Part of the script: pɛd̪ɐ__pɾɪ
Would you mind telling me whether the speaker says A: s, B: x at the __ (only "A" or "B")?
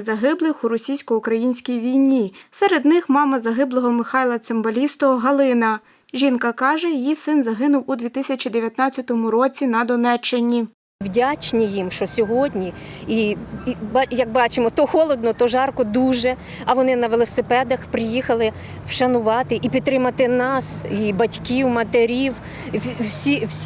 B